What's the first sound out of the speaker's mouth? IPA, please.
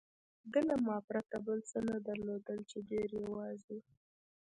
d̪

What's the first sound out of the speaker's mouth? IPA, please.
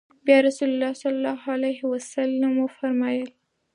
b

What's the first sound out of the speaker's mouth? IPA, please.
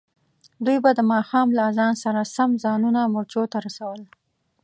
d̪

